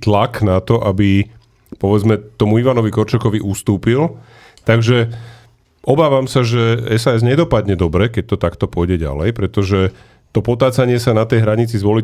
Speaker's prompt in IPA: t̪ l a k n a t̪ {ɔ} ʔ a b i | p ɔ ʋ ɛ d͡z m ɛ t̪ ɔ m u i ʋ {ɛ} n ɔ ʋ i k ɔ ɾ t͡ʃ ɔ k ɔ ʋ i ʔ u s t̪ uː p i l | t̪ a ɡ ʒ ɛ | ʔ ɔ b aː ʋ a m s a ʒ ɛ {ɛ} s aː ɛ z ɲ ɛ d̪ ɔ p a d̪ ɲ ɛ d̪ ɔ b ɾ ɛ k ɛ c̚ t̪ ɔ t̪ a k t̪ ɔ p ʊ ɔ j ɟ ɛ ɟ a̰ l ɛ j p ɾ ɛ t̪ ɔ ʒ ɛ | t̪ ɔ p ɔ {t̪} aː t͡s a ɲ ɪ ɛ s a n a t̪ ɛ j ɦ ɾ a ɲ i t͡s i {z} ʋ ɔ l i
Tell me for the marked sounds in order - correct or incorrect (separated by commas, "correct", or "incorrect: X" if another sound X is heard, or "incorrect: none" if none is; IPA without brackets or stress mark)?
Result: correct, incorrect: a, correct, correct, correct